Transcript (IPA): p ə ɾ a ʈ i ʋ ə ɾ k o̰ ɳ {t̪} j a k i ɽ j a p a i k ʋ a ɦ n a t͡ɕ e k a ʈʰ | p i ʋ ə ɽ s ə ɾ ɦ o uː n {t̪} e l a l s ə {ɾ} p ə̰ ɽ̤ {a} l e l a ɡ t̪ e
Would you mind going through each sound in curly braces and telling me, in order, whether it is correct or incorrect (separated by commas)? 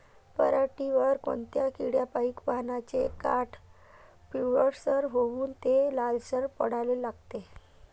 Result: correct, correct, correct, correct